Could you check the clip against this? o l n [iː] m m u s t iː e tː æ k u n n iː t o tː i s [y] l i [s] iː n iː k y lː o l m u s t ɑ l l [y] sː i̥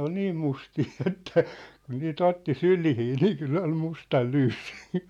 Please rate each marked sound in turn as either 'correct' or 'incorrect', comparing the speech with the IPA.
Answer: correct, correct, incorrect: h, incorrect: yː

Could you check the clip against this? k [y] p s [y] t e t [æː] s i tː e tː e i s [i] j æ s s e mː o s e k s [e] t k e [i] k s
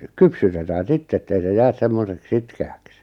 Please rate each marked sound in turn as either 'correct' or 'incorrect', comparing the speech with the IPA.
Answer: correct, correct, correct, incorrect: e, incorrect: i, incorrect: æ

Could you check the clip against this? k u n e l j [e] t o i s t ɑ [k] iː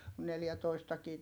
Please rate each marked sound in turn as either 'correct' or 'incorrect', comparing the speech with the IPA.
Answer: incorrect: æ, correct

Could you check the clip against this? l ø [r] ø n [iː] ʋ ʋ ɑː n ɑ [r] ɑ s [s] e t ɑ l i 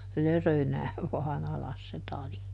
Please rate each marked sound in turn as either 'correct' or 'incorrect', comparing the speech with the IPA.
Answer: correct, incorrect: æː, incorrect: l, correct

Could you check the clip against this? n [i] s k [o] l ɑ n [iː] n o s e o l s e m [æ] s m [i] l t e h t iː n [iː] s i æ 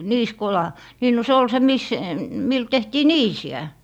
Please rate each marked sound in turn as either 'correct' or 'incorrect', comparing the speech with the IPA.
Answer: incorrect: iː, correct, correct, incorrect: i, correct, correct

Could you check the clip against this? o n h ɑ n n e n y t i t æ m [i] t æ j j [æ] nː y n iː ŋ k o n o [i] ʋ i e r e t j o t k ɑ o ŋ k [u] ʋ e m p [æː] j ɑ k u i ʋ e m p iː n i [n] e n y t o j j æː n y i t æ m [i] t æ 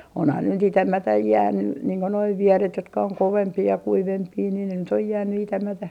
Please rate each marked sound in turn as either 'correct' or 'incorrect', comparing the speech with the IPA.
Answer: incorrect: æ, incorrect: æː, correct, incorrect: o, incorrect: iː, correct, incorrect: æ

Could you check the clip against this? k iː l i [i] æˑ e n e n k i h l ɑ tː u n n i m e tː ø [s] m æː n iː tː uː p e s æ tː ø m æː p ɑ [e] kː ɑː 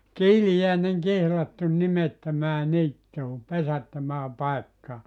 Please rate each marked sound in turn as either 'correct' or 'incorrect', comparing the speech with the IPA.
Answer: incorrect: j, incorrect: none, correct

